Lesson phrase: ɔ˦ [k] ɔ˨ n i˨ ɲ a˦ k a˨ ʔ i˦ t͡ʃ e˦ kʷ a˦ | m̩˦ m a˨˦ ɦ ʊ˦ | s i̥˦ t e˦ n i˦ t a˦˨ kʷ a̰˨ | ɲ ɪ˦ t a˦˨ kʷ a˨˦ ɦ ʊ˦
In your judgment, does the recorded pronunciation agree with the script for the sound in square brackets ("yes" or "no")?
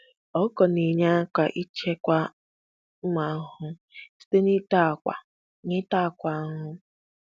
yes